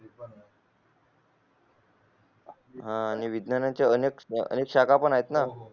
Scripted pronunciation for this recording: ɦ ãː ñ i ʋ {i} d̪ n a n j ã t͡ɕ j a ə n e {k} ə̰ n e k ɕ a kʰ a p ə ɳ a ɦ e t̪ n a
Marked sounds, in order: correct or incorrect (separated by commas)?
correct, correct